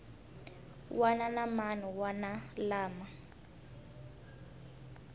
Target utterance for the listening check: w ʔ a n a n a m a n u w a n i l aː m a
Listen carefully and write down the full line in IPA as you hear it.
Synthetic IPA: w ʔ a n a n a m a n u w a n a l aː m a